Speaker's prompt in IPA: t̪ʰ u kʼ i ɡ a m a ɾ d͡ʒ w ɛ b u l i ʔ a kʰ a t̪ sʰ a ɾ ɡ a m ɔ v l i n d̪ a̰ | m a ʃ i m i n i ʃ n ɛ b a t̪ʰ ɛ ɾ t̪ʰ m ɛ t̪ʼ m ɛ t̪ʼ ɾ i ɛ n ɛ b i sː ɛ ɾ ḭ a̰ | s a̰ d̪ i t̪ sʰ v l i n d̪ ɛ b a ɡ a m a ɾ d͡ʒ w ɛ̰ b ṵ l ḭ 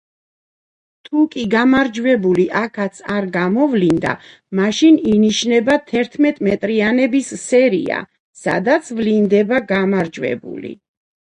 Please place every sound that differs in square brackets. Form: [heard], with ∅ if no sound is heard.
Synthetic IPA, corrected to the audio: t̪ʰ u kʼ i ɡ a m a ɾ d͡ʒ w ɛ b u l i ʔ a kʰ a t̪ sʰ a ɾ ɡ a m ɔ v l i n d̪ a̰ | m a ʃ i [n] i n i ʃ n ɛ b a t̪ʰ ɛ ɾ t̪ʰ m ɛ t̪ʼ m ɛ t̪ʼ ɾ i [a] n ɛ b i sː ɛ ɾ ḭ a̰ | s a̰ d̪ [a] t̪ sʰ v l i n d̪ ɛ b a ɡ a m a ɾ d͡ʒ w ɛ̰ b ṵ l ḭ